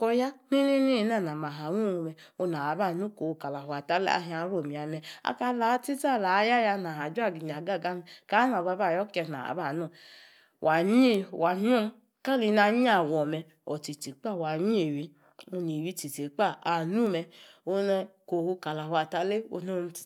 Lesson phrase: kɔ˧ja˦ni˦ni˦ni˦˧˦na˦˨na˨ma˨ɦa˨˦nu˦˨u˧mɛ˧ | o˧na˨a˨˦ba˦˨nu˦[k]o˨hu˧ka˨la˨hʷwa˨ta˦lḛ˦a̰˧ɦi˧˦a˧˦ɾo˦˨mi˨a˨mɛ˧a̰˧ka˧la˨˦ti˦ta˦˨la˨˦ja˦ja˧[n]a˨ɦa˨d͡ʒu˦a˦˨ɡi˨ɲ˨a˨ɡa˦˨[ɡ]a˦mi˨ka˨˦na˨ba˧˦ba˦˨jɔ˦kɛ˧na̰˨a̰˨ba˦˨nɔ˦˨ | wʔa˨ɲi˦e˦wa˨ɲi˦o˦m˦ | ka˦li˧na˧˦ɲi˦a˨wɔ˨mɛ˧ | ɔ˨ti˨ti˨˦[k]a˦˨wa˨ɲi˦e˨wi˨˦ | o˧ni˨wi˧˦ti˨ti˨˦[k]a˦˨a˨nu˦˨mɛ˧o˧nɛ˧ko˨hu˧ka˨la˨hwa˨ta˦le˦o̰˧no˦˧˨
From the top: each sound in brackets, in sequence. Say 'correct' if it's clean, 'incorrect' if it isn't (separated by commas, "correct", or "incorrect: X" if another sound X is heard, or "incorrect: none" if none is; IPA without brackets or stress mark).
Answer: correct, correct, correct, incorrect: k͡p, incorrect: k͡p